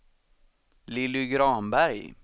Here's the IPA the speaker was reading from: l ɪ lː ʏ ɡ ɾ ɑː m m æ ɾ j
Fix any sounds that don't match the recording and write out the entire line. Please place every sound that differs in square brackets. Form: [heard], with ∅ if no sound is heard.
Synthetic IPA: l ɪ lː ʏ ɡ ɾ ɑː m [b] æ ɾ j